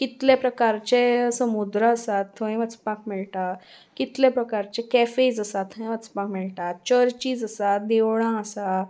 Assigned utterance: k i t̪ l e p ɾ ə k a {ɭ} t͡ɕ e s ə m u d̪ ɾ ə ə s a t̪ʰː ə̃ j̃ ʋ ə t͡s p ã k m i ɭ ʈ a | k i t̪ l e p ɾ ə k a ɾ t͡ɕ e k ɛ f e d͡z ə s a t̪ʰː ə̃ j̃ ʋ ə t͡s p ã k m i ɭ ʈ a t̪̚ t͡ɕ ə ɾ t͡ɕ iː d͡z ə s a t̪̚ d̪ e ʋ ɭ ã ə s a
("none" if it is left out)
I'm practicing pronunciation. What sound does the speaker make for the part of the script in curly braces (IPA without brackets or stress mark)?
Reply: ɾ